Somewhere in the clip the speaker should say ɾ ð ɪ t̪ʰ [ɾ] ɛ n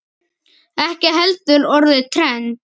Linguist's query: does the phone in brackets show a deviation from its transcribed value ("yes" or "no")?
no